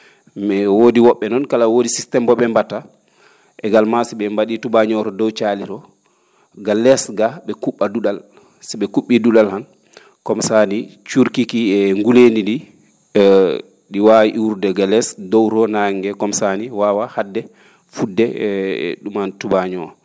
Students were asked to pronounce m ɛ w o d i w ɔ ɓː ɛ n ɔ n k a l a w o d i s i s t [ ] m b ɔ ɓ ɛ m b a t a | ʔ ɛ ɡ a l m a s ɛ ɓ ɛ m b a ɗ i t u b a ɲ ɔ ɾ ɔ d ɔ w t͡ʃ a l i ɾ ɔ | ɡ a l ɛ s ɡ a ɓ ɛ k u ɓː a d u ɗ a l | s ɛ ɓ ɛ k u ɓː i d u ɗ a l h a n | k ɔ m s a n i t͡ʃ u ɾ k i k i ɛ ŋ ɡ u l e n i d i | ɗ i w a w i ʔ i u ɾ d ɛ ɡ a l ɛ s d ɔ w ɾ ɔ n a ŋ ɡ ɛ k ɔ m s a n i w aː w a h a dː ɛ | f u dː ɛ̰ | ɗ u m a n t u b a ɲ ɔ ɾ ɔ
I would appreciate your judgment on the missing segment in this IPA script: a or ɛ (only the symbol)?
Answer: ɛ